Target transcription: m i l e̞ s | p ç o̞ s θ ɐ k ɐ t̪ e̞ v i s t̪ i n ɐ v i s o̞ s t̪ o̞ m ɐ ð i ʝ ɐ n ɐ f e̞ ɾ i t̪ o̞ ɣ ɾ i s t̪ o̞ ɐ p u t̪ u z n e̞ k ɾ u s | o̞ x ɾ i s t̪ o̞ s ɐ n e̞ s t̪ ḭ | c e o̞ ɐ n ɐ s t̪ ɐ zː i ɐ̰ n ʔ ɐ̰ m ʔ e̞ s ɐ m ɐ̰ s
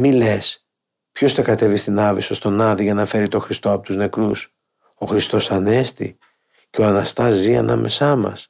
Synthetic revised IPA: m i l e̞ s | p ç o̞ s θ ɐ k ɐ t̪ e̞ v i s t̪ i n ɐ v i s o̞ s t̪ o̞ n ɐ ð i ʝ ɐ n ɐ f e̞ ɾ i t̪ o̞ x ɾ i s t̪ o̞ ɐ p o t̪ u z n e̞ k ɾ u s | o̞ x ɾ i s t̪ o̞ s ɐ n e̞ s t̪ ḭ | c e o̞ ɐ n ɐ s t̪ ɐ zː i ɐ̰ n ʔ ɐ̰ m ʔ e̞ s ɐ m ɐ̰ s